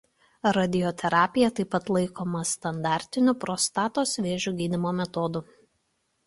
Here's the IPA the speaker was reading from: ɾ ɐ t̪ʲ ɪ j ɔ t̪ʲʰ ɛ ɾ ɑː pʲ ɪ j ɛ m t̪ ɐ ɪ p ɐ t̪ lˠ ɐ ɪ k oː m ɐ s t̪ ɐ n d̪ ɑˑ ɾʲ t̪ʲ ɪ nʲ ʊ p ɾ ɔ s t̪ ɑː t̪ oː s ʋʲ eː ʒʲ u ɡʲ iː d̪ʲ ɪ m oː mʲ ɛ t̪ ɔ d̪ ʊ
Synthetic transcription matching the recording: ɾ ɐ d̪ʲ ɪ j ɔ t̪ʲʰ ɛ ɾ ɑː pʲ ɪ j ɛ t̪ ɐ ɪ p ɐ t̪ lˠ ɐ ɪ k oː m ɐ s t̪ ɐ n d̪ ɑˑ ɾʲ t̪ʲ ɪ nʲ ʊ p ɾ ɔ s t̪ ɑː t̪ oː s ʋʲ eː ʒʲ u ɡʲ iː d̪ʲ ɪ m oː mʲ ɛ t̪ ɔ d̪ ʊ